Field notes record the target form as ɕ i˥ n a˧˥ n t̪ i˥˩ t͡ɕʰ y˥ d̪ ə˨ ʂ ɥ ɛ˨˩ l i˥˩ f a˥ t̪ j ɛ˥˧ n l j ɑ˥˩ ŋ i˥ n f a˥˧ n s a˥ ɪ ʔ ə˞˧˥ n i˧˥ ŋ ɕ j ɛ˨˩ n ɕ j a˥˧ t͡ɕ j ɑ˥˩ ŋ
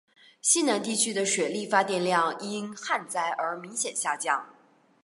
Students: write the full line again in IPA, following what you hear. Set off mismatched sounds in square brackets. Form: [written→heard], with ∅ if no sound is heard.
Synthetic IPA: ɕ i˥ n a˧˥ n t̪ i˥˩ t͡ɕʰ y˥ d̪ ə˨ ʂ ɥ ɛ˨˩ l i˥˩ f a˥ t̪ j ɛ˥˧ n l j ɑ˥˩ ŋ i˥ n [f→x] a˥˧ n [s→t͡s] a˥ ɪ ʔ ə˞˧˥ [n→m] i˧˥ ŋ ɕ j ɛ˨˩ n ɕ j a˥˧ t͡ɕ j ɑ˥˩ ŋ